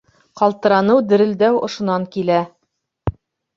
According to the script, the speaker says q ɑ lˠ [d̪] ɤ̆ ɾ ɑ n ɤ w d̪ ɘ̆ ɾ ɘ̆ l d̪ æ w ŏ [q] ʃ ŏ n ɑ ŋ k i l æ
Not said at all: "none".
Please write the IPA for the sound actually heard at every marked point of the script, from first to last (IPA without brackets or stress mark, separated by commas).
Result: t̪, none